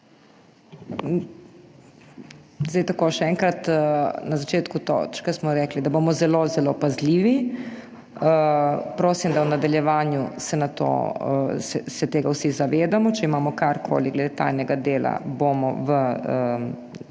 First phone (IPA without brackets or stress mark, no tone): z